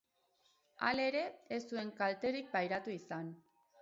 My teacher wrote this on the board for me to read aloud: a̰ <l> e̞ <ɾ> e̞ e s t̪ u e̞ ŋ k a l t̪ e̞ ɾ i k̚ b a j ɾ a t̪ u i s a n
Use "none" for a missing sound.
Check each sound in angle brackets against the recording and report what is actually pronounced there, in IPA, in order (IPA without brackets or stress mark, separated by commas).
l, ɾ